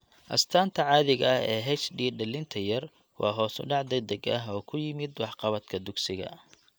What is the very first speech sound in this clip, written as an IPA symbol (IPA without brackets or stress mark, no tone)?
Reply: ʔ